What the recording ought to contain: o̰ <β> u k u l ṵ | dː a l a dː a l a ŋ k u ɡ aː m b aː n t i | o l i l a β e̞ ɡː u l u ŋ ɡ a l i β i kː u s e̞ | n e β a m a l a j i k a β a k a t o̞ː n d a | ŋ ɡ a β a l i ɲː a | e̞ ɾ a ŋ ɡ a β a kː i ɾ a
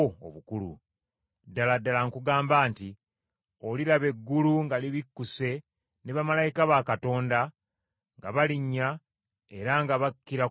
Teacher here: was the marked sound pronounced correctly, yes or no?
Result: yes